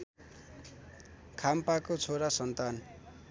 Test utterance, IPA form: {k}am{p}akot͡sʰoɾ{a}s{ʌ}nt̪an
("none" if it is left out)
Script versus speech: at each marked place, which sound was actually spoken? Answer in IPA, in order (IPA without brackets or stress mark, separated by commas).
kʰ, p, a, ʌ